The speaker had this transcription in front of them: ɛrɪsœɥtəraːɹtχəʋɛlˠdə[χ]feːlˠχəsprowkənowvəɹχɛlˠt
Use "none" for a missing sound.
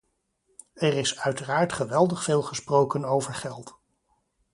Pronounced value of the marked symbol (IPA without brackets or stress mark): χ